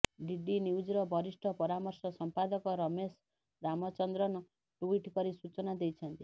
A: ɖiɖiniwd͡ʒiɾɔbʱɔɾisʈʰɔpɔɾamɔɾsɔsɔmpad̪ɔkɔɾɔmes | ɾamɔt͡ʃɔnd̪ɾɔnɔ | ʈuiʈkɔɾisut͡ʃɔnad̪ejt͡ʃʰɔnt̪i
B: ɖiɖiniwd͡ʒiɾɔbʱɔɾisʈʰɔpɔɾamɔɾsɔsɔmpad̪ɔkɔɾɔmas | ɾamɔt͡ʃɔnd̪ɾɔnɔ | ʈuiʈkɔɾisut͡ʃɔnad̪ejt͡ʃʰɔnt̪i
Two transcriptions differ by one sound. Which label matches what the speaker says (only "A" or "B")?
A